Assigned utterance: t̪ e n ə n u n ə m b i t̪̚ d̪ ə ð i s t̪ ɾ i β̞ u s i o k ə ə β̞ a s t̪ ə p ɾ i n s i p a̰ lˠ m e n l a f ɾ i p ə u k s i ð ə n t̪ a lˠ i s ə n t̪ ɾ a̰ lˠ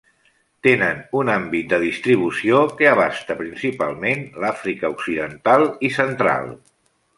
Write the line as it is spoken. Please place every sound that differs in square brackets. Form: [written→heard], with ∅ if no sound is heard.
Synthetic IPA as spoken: t̪ e n ə n u n [ə→a] m b i t̪̚ d̪ ə ð i s t̪ ɾ i β̞ u s i o k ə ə β̞ a s t̪ ə p ɾ i n s i p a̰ lˠ m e n l a f ɾ i [p→k] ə u k s i ð ə n t̪ a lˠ i s ə n t̪ ɾ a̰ lˠ